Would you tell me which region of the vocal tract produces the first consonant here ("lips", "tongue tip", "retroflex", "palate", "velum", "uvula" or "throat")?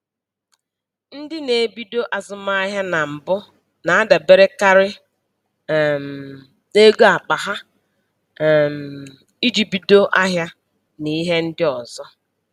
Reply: tongue tip